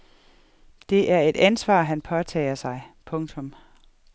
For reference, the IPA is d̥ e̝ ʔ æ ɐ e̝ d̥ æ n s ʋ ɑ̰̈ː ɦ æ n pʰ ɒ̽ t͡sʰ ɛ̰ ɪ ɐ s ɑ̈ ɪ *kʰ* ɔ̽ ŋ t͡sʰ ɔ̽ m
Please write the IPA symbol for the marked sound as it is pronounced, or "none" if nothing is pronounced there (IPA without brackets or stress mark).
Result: pʰ